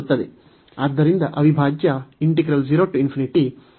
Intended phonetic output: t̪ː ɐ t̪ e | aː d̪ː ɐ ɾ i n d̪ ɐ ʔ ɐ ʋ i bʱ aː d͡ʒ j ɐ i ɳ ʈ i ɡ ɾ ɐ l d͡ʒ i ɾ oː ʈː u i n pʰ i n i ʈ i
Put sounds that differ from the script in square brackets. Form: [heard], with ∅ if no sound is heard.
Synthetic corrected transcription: t̪ː ɐ [d̪] e | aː d̪ː ɐ ɾ i n d̪ ɐ ʔ ɐ ʋ i bʱ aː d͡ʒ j ɐ i ɳ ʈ i ɡ ɾ ɐ l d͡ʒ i ɾ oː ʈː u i n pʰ i n i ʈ i